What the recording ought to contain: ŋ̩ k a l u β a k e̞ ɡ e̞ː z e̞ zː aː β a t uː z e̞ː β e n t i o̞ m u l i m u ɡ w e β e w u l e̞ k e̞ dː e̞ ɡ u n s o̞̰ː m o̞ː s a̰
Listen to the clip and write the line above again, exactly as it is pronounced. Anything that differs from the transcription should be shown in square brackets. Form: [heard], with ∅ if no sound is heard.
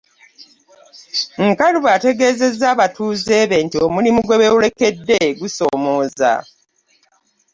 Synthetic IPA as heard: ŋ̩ k a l u β a [t] e̞ ɡ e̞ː z e̞ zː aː β a t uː z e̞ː β e n t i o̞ m u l i m u ɡ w e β e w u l e̞ k e̞ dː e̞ ɡ u [∅] s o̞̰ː m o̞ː [z] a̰